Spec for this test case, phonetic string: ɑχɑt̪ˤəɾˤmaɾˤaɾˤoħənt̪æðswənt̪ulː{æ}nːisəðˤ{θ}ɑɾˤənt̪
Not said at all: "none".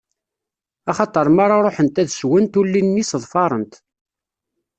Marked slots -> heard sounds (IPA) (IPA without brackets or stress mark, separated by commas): i, f